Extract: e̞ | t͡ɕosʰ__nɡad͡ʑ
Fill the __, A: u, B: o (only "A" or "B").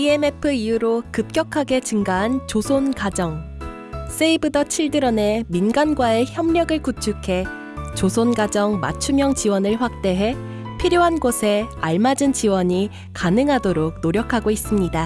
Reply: B